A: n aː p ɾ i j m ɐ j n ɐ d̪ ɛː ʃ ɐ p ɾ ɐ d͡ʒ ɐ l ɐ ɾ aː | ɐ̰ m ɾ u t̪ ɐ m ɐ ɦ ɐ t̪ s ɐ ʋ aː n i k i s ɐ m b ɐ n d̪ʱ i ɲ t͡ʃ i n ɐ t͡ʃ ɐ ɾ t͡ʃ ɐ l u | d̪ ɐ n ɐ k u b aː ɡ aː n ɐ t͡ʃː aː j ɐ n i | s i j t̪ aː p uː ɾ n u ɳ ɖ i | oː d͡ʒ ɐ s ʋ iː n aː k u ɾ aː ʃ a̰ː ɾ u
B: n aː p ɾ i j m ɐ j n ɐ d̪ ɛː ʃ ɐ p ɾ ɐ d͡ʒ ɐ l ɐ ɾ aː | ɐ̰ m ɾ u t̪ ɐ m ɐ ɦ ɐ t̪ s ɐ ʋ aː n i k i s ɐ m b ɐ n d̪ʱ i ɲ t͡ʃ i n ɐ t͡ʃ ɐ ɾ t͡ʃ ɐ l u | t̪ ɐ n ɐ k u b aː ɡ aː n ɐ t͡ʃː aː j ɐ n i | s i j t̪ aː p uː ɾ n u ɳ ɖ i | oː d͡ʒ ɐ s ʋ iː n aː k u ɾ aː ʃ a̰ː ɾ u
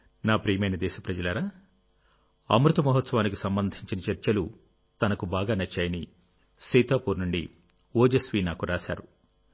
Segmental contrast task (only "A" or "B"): B